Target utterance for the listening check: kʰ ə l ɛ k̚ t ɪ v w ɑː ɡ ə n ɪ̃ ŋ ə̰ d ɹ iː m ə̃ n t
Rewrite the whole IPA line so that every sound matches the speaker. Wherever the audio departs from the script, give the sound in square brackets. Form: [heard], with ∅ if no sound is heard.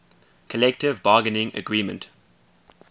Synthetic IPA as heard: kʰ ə l ɛ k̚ t ɪ v [b] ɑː ɡ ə n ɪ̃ ŋ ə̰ [ɡ] ɹ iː m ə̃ n t